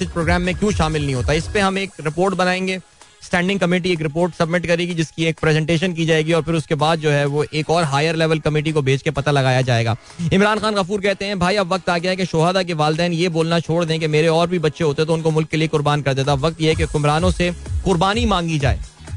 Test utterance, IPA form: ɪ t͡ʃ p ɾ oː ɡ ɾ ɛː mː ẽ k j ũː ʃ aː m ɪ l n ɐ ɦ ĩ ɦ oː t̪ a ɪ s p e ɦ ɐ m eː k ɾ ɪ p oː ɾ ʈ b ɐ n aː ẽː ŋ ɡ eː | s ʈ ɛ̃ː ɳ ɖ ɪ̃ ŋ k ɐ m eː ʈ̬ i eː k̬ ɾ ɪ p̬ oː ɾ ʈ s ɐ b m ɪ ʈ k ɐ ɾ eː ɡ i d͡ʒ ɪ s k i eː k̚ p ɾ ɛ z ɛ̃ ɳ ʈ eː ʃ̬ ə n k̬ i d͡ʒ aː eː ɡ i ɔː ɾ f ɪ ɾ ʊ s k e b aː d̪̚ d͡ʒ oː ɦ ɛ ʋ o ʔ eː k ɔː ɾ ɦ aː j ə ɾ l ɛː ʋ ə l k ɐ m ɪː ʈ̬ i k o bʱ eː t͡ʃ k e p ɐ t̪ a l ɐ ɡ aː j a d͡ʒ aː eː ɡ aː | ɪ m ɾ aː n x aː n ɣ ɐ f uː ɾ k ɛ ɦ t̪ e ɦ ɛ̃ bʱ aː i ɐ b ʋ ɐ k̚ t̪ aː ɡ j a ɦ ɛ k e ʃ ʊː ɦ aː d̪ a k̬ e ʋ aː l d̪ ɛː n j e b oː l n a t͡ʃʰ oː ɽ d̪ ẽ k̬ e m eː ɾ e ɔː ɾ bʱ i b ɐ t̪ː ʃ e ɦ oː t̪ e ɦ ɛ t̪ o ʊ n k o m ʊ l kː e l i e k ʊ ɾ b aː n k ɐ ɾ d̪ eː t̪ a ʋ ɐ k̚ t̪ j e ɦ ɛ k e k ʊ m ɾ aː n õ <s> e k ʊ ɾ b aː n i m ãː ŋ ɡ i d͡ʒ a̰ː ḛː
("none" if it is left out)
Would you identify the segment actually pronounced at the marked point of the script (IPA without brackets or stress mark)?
s